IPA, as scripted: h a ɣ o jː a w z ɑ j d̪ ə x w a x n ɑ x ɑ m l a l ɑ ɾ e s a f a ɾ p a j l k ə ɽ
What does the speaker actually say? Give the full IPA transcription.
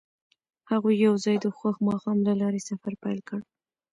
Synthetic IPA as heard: h a ɣ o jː a w z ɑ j d̪ ə x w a x m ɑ x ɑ m l a l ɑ ɾ e s a f a ɾ p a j l k ə ɽ